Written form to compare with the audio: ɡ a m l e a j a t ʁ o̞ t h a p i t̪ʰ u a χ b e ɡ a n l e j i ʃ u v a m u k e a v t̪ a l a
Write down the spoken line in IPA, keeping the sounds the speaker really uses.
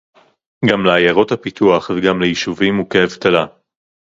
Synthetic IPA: ɡ a m l e a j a ʁ o̞ t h a p i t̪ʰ u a χ v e ɡ a m l e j i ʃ u v i m u k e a v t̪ a l a